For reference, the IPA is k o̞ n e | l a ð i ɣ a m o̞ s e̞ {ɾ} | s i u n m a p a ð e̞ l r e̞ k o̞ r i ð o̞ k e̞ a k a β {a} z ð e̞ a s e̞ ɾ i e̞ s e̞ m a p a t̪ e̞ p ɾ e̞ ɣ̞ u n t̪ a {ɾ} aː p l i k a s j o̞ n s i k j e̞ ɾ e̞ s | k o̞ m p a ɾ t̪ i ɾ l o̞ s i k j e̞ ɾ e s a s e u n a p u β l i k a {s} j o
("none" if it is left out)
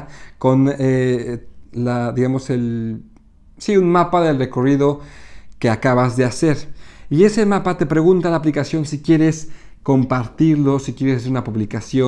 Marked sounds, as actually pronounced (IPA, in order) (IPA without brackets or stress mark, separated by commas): l, a, l, s